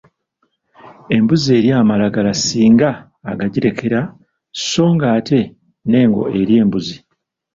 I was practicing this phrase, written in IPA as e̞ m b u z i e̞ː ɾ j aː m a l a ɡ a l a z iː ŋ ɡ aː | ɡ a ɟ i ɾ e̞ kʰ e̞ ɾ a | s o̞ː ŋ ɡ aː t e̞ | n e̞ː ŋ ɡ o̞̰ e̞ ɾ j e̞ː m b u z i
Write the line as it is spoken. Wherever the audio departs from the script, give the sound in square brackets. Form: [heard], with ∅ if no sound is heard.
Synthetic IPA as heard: e̞ m b u z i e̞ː ɾ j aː m a l a ɡ a l a [s] iː ŋ ɡ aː | ɡ a ɟ i ɾ e̞ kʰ e̞ ɾ a | s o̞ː ŋ ɡ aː t e̞ | n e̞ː ŋ ɡ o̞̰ e̞ ɾ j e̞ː m b u z i

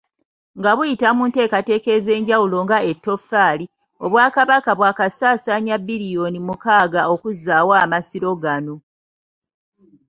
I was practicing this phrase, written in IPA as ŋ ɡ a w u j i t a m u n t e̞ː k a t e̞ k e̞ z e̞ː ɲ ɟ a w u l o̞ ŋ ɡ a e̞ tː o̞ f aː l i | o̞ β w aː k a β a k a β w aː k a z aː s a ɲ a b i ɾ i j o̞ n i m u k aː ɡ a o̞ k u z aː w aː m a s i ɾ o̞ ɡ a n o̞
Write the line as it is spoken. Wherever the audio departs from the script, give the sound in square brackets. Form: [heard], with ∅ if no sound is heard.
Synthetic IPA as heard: ŋ ɡ a [β] u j i t a m u n t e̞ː k a t e̞ k e̞ z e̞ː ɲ ɟ a w u l o̞ ŋ ɡ a e̞ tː o̞ f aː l i | o̞ β w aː k a β a k a β w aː k a [s] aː s a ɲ a b i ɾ i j o̞ n i m u k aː ɡ a o̞ k u z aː w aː m a s i ɾ o̞ ɡ a n o̞

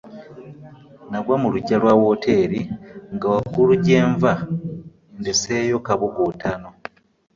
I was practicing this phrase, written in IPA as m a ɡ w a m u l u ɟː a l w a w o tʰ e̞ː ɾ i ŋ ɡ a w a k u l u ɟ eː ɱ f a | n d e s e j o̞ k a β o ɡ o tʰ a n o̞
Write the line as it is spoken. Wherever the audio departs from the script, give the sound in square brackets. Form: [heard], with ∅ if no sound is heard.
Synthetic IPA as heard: [n] a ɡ w a m u l u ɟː a l w a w o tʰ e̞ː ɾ i ŋ ɡ a w a k u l u ɟ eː ɱ [v] a | n d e s e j o̞ k a β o ɡ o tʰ a n o̞

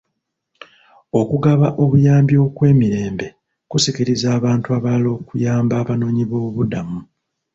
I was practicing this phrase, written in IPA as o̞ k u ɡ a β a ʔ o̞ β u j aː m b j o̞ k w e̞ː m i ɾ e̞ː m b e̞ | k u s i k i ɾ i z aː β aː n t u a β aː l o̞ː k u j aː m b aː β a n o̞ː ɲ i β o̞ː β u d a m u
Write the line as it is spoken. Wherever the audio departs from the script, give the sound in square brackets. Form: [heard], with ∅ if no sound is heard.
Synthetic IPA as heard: o̞ k u ɡ a β a ʔ o̞ β u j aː m b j o̞ k w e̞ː m i ɾ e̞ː m b e̞ | k u s i k i ɾ i z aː β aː n t u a β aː l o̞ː k u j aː m b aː β a n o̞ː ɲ i β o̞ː β u d a m u

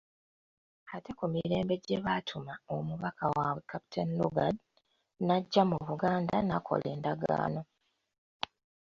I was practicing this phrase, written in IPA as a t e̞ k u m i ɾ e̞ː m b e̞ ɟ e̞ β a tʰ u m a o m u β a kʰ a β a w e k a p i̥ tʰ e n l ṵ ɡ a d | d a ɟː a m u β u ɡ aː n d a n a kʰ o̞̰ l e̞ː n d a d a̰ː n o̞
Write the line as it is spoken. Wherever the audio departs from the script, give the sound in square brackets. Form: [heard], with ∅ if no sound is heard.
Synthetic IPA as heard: a t e̞ k u m i ɾ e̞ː m b e̞ ɟ e̞ β a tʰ u m a o m u β a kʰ a [w] a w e k a p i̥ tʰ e n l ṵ ɡ a d | [n] a ɟː a m u β u ɡ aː n d a n a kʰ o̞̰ l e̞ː n d a [ɡ] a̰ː n o̞

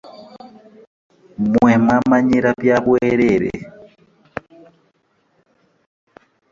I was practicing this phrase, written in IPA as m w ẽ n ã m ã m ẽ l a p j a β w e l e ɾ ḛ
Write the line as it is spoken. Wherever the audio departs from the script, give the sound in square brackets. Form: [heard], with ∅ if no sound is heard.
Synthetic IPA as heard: m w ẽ [m] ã m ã [ɲ] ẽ [ɾ] a p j a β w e [ɾ] e ɾ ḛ

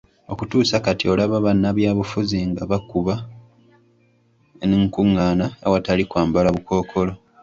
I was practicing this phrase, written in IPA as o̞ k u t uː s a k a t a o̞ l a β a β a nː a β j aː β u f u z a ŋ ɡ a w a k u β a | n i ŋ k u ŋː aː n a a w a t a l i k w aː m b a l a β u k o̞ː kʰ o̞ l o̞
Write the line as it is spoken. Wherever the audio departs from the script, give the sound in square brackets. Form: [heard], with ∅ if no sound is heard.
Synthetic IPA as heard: o̞ k u t uː s a k a t [i] o̞ l a β a β a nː a β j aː β u f u z [i] ŋ ɡ a [β] a k u β a | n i ŋ k u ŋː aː n a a w a t a l i k w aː m b a l a β u k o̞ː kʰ o̞ l o̞

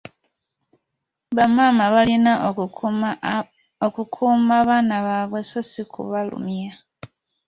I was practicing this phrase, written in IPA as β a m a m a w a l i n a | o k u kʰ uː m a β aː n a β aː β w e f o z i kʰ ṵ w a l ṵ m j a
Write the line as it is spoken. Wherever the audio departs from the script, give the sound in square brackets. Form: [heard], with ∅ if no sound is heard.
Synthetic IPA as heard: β a m a m a [β] a l i n a | o k u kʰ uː m a β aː n a β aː β w e [s] o [s] i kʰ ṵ [β] a l ṵ m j a

